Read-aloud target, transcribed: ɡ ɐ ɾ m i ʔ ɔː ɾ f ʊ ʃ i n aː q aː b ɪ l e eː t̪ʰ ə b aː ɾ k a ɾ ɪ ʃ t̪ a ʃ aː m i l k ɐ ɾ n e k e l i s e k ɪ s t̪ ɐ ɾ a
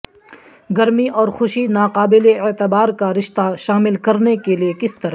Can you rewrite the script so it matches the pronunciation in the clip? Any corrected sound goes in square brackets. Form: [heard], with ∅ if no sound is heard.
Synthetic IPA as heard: ɡ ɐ ɾ m i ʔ ɔː ɾ [x] ʊ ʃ i n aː q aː b ɪ l e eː [t̪] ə b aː ɾ k a ɾ ɪ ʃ t̪ a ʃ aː m [ɪ] l k ɐ ɾ n e k e l i [∅] e k ɪ s t̪ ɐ ɾ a

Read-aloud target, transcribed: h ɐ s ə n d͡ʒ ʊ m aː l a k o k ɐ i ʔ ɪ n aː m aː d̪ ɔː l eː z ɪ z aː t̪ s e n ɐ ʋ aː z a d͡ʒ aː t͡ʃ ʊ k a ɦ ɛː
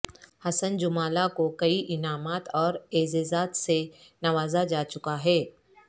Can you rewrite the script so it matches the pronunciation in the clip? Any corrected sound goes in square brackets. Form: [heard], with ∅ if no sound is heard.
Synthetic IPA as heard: h ɐ s ə n d͡ʒ ʊ m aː l a k o k ɐ i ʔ ɪ n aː m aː [t̪] ɔː [ɾ] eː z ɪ z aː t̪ s e n ɐ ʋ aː z a d͡ʒ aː t͡ʃ ʊ k a ɦ ɛː

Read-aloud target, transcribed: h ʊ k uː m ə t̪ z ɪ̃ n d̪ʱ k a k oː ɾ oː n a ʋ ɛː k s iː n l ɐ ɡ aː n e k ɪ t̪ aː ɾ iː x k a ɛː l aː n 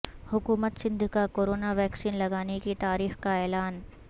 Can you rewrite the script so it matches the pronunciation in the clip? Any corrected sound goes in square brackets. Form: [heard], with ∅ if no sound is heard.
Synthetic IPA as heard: h ʊ k uː m ə t̪ [s] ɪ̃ n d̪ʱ k a k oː ɾ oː n a ʋ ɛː k s iː n l ɐ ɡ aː n e k [i] t̪ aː ɾ iː x k a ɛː l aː n

